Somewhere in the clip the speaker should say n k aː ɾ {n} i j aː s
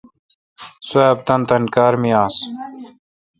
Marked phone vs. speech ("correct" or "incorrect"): incorrect